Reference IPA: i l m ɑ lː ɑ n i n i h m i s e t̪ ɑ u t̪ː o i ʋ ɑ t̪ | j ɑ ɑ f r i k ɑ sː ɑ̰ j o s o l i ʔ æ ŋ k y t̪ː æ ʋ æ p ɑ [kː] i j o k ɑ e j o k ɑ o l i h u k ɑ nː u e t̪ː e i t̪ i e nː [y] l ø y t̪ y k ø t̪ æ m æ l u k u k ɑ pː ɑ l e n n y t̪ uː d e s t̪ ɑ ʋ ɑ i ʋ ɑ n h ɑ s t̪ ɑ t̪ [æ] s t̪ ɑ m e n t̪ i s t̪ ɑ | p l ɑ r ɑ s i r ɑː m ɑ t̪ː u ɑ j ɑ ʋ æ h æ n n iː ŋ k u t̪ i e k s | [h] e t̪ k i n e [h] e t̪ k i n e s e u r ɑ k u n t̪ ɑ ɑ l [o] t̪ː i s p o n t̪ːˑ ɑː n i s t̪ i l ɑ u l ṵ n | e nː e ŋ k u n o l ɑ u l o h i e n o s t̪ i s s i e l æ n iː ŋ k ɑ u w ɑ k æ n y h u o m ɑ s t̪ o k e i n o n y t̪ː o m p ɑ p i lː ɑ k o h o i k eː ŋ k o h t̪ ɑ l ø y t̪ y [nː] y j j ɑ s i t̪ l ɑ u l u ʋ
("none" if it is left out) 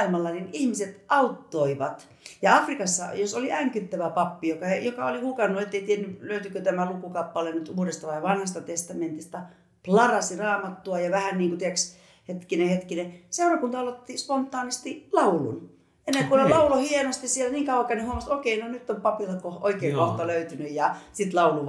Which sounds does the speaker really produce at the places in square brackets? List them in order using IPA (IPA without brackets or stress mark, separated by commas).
pː, y, e, h, h, o, n